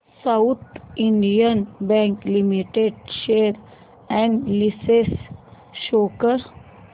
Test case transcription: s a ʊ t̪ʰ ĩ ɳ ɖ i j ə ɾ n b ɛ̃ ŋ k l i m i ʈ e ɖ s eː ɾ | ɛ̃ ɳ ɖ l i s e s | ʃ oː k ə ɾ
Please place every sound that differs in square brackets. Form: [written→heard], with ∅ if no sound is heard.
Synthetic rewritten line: s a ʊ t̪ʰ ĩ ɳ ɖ i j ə [ɾ→∅] n b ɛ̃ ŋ k l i m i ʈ e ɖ [s→ʃ] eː ɾ | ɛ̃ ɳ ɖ l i s e s | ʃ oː k ə ɾ